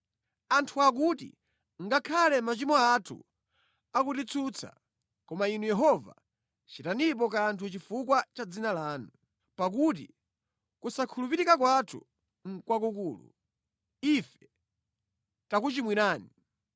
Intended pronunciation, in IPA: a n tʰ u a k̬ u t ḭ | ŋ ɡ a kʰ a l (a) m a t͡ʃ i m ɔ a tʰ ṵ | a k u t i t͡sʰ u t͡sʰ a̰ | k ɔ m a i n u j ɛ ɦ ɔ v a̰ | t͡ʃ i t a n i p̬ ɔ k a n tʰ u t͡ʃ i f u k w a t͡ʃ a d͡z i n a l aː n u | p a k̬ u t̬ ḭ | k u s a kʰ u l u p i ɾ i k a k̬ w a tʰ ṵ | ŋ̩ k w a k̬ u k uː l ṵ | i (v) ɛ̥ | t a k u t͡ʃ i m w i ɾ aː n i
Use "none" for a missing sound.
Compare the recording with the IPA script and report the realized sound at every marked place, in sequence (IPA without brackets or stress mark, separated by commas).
ɛ, f